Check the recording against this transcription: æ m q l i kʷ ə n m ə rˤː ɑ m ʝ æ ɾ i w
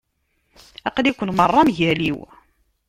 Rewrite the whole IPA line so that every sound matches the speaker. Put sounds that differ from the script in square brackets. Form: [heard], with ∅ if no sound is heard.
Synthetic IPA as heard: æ [∅] q l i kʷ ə n m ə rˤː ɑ m ʝ æ [l] i w